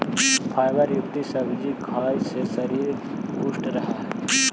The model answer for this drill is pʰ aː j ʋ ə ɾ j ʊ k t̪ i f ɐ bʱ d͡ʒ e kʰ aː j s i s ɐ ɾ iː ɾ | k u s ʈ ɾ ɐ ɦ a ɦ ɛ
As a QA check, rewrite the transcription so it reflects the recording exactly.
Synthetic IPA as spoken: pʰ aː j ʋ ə ɾ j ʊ k t̪ i s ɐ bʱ d͡ʒ i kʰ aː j s e s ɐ ɾ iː ɾ | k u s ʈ ɾ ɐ ɦ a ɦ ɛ